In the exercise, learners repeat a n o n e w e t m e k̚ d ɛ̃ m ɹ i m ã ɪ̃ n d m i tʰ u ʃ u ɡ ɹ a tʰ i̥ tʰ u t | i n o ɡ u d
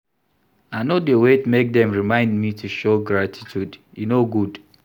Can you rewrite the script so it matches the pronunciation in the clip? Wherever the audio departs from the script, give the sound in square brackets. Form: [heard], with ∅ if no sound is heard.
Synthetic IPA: a n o [d] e w e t m e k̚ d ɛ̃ m ɹ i m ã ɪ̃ n d m i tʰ u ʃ [o] ɡ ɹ a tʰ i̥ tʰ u [d] | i n o ɡ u d